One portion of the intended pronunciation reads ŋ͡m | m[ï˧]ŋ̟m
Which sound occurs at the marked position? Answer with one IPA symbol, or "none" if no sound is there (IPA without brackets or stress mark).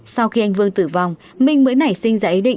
ï˧